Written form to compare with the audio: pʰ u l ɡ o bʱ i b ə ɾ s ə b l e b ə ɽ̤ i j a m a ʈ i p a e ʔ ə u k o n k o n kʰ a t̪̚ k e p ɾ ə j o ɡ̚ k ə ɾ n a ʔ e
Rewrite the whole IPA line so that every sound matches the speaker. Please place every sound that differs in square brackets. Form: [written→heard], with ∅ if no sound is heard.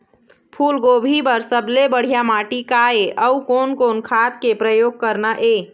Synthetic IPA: pʰ u l ɡ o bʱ i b ə ɾ s ə b l e b ə ɽ̤ i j a m a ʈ i [p→k] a e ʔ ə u k o n k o n kʰ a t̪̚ k e p ɾ ə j o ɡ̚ k ə ɾ n a ʔ e